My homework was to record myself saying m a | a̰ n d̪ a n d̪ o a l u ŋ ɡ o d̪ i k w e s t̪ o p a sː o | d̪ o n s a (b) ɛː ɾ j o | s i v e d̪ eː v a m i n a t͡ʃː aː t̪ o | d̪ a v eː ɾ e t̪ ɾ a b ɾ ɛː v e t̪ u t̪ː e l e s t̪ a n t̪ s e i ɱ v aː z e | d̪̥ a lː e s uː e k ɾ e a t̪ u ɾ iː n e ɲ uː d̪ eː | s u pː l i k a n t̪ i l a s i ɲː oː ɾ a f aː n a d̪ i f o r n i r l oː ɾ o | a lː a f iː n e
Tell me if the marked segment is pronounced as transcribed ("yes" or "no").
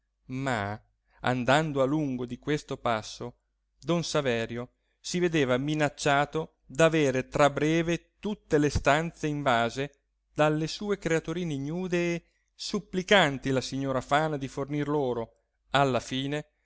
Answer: no